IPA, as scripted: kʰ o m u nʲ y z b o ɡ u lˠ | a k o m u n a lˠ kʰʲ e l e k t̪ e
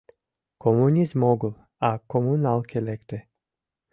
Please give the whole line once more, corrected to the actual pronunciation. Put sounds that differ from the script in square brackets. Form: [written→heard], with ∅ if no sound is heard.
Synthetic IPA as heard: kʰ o m u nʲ [y→i] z [b→m] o ɡ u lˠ | a k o m u n a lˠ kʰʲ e l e k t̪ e